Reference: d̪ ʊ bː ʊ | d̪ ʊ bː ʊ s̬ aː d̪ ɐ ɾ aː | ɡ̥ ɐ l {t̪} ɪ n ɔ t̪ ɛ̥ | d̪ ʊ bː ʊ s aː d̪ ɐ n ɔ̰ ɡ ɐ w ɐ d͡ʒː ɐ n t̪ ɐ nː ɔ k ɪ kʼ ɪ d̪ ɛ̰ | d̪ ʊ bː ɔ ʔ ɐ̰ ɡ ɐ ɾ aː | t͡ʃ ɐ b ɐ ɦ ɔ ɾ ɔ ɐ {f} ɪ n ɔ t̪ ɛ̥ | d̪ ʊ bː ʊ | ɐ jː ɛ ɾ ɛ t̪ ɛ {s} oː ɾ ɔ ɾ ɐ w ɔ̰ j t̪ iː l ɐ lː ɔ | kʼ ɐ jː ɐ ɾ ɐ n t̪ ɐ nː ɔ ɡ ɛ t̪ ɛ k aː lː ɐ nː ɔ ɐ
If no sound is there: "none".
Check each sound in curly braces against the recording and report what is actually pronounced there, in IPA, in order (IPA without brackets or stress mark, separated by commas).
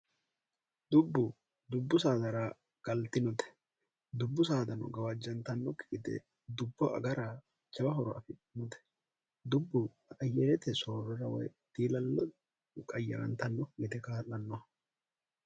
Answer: t̪, f, s